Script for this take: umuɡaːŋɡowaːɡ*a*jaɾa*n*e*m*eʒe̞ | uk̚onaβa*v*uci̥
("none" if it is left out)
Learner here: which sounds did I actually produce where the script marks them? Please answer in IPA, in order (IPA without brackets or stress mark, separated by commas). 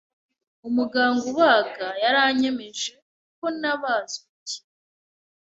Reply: a, ɲ, m, z